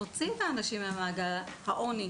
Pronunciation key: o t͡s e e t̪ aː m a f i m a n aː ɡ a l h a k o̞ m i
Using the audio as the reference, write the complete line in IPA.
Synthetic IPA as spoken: o t͡s i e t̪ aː n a ʃ i m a m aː ɡ a l h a ʔ o̞ n i